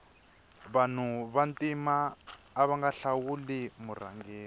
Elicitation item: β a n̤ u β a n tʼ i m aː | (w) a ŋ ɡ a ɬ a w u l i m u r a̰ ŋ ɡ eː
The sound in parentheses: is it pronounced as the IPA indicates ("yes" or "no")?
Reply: no